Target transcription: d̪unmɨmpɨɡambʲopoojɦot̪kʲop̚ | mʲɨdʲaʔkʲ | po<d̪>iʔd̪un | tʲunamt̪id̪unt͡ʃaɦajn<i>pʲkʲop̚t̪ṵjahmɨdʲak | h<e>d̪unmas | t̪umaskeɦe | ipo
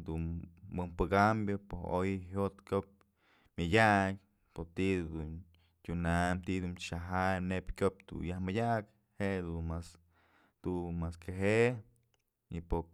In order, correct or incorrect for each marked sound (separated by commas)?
incorrect, incorrect, correct